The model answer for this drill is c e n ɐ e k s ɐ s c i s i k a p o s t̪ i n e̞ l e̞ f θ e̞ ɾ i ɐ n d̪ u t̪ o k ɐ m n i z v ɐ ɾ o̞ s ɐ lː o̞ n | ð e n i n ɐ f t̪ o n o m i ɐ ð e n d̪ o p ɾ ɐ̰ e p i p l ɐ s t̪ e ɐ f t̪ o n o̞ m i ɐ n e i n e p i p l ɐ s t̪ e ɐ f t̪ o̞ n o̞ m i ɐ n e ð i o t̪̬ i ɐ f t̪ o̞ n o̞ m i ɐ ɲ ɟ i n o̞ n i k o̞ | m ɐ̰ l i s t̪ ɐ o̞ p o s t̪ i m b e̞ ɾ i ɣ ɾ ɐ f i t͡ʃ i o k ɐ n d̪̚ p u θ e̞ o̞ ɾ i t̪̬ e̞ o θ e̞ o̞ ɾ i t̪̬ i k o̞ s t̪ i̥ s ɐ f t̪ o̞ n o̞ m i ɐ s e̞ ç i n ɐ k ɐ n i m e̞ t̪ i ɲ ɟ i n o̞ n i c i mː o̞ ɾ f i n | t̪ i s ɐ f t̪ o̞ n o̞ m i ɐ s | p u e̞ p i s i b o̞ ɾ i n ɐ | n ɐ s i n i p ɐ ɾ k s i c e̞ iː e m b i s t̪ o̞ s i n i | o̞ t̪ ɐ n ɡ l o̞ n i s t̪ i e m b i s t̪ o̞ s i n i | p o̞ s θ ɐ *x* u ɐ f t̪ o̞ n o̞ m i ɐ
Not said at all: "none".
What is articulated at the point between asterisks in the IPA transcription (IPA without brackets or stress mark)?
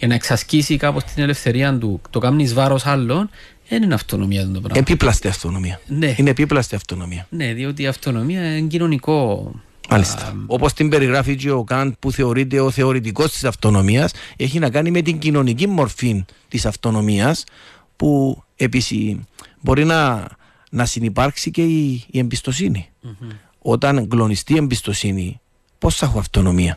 x